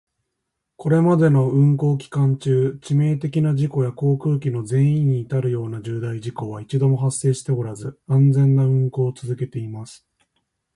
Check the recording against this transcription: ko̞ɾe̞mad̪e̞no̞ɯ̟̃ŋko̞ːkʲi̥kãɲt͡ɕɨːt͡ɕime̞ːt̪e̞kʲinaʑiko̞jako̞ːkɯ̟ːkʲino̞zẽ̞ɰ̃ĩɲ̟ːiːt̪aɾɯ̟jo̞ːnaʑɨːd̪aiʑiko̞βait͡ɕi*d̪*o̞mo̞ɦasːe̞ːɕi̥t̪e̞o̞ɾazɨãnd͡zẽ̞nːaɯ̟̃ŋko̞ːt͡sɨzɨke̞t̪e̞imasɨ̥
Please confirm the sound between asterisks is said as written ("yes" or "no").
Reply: yes